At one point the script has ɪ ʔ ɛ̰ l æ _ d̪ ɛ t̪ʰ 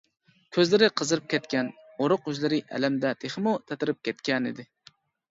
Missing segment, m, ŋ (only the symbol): m